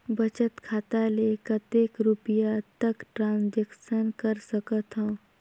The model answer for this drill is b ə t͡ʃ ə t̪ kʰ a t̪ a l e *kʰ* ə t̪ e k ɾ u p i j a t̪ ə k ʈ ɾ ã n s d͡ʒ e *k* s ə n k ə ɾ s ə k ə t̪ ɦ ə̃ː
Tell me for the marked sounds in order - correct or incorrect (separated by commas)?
incorrect, correct